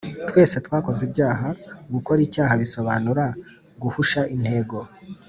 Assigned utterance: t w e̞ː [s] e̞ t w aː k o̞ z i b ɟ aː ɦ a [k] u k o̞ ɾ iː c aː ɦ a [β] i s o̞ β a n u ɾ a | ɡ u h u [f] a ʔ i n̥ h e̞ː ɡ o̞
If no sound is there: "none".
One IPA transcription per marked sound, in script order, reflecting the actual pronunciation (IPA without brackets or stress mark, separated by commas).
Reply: s, ɡ, β, ʃ